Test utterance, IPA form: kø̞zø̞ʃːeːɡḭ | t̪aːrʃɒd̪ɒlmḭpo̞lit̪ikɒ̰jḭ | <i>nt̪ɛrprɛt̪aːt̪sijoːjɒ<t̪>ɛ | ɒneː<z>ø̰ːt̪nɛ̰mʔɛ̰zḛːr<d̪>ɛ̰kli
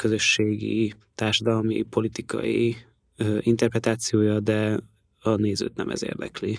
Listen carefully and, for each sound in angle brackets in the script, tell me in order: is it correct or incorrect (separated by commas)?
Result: correct, incorrect, correct, correct